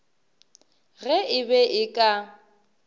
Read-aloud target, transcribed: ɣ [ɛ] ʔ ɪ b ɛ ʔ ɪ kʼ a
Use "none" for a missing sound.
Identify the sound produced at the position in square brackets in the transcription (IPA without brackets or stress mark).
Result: ɛ